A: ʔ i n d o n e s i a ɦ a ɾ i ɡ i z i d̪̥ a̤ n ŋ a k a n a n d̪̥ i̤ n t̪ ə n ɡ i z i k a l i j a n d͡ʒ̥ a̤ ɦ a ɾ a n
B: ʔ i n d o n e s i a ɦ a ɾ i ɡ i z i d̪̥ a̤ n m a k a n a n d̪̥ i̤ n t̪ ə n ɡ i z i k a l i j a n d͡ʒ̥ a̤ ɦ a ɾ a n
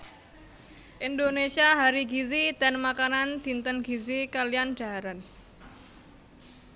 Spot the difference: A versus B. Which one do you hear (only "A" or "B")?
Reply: B